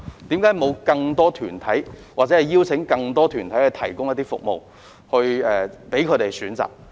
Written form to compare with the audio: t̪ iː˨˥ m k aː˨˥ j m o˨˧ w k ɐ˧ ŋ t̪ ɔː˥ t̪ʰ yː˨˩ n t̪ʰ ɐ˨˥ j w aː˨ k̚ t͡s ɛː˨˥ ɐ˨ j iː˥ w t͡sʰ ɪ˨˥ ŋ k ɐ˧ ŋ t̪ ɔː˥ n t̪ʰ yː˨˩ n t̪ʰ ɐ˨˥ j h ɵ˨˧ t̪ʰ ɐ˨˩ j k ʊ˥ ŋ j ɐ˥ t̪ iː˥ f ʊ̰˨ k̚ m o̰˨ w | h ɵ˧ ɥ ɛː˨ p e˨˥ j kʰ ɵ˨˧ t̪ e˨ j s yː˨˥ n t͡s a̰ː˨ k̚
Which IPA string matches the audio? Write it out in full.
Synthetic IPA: t̪ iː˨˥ m k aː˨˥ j m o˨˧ w k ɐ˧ ŋ t̪ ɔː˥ t̪ʰ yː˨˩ n t̪ʰ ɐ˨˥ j w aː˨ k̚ t͡s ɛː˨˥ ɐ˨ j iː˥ w t͡sʰ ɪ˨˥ ŋ k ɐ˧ ŋ t̪ ɔː˥ t̪ʰ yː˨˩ n t̪ʰ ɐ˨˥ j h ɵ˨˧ t̪ʰ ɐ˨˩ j k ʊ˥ ŋ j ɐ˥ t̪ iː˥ f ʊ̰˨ k̚ m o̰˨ w | h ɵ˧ ɥ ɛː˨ p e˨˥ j kʰ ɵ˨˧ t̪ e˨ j s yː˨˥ n t͡s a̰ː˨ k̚